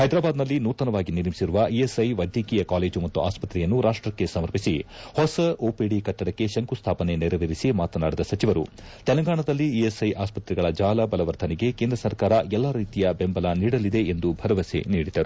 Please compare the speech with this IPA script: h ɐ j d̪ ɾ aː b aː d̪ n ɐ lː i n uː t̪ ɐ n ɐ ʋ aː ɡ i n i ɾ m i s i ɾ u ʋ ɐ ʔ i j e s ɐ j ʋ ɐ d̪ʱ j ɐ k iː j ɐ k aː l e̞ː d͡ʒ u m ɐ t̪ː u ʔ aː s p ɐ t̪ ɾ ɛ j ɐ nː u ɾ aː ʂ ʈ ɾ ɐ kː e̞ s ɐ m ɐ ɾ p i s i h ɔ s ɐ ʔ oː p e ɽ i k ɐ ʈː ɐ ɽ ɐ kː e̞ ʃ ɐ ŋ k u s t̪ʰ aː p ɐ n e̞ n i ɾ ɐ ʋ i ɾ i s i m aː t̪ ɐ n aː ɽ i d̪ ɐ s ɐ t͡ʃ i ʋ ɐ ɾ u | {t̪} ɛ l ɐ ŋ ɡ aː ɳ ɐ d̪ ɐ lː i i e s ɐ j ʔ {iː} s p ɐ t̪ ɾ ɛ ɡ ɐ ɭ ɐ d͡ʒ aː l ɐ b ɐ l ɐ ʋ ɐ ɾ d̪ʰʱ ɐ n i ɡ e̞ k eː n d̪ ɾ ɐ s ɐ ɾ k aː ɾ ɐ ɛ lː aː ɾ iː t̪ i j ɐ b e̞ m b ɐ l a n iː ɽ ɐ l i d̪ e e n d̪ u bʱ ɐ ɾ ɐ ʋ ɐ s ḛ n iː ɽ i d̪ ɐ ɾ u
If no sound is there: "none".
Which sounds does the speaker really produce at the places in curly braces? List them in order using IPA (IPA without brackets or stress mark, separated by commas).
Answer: t̪, aː